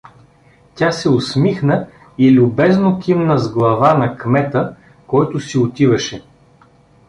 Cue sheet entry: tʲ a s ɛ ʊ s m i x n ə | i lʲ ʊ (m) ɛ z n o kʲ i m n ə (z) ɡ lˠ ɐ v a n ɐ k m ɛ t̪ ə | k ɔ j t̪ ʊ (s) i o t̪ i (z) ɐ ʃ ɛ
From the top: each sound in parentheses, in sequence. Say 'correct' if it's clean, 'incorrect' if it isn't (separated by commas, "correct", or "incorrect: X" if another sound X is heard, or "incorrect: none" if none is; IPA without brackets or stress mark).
incorrect: b, correct, correct, incorrect: v